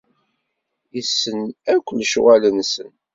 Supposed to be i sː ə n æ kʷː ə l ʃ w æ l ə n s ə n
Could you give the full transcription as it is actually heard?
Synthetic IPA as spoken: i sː ə n æ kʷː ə l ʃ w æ l ə n s ə n